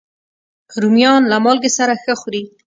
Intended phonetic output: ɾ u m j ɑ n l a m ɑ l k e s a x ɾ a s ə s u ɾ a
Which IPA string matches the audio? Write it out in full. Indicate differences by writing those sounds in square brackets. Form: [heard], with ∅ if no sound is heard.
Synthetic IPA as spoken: ɾ u m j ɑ n l a m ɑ l [ɡ] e s a [∅] ɾ a [x] ə [x] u ɾ [i]